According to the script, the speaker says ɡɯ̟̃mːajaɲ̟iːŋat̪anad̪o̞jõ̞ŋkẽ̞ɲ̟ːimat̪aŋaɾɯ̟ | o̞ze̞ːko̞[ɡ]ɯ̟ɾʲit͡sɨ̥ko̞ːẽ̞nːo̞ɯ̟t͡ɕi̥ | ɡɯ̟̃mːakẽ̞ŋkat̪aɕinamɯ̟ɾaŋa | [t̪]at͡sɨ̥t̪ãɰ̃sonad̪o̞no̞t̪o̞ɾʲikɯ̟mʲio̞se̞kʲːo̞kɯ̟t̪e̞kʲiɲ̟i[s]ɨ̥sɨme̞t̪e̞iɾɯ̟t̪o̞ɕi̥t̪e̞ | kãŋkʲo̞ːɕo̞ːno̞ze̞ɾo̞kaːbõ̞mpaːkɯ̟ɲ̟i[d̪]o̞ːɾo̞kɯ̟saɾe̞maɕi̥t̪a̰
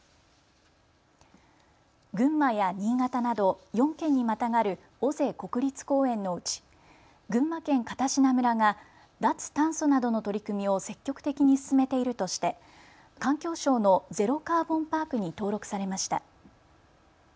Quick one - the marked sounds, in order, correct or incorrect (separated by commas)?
incorrect, incorrect, correct, incorrect